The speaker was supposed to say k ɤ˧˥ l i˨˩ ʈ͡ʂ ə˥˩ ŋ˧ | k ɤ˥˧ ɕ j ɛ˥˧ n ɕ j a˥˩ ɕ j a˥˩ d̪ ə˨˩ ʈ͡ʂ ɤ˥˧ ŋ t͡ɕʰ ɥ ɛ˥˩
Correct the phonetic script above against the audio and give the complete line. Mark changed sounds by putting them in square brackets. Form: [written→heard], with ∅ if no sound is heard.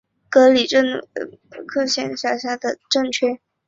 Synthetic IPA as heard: k ɤ˧˥ l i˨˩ ʈ͡ʂ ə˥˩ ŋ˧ | [k→kʰ] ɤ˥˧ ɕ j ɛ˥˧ n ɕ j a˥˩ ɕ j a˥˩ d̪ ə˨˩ ʈ͡ʂ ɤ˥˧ ŋ t͡ɕʰ ɥ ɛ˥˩